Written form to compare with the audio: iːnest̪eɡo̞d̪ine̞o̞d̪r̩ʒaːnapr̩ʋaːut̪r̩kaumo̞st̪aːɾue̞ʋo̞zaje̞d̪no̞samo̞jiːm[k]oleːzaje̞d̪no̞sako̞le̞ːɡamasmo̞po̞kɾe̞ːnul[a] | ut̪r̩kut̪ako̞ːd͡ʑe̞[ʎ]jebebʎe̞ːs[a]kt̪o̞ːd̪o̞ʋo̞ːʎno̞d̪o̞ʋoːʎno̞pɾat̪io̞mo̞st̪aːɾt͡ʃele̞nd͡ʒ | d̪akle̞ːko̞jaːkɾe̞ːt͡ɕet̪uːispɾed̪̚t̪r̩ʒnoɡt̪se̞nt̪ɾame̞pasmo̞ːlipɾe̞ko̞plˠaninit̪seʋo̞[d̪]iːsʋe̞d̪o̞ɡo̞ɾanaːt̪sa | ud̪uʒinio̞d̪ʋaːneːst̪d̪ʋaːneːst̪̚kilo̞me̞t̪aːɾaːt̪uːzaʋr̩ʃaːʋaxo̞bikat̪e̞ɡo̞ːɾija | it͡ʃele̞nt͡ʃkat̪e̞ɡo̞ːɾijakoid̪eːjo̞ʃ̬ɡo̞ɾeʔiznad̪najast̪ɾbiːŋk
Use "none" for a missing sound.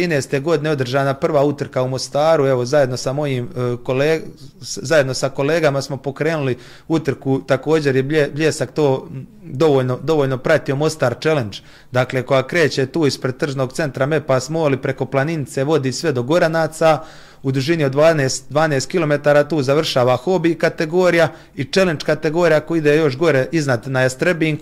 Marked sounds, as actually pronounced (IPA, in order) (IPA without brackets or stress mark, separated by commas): k, i, ɾ, a, d̪